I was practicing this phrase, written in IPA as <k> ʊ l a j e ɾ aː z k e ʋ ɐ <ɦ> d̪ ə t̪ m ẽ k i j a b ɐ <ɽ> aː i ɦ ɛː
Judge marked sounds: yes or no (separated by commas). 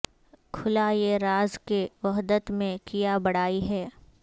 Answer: no, yes, yes